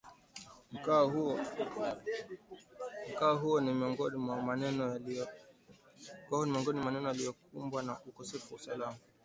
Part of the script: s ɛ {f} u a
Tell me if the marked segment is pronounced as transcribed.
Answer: yes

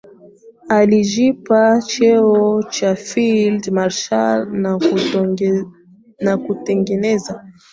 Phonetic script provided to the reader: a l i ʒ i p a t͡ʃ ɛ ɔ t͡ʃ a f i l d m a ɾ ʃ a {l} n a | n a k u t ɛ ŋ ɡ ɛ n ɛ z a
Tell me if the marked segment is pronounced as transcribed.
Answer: yes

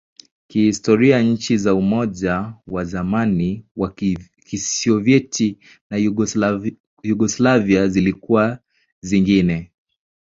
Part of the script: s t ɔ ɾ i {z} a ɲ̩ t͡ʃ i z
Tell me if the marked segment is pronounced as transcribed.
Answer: no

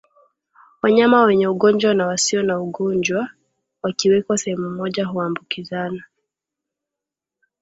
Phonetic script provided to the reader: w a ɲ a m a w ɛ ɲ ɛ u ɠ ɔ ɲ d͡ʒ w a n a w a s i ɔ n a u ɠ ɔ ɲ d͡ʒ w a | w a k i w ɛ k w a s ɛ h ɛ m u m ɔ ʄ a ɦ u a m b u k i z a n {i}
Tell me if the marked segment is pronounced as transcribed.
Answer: no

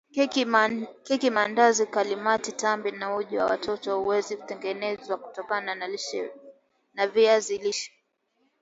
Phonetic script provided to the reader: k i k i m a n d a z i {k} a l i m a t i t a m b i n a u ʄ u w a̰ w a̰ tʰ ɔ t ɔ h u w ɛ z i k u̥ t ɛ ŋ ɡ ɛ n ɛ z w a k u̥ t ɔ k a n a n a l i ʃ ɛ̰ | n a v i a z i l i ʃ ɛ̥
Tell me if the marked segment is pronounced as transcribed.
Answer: yes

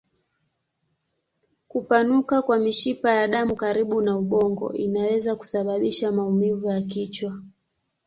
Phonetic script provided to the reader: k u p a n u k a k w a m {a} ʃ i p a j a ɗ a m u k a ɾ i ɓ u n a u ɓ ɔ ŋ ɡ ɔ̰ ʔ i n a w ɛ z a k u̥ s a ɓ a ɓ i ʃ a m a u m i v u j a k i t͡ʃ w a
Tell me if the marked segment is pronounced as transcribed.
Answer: no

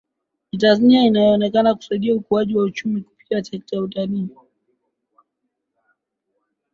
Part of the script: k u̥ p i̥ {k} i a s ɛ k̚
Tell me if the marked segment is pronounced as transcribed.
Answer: no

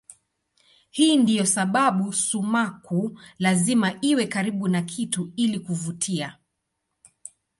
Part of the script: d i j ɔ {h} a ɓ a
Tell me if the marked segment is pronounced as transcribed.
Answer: no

